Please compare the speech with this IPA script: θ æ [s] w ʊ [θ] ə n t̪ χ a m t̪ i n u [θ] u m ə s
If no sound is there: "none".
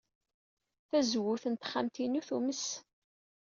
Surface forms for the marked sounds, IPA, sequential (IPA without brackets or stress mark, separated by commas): z, θ, θ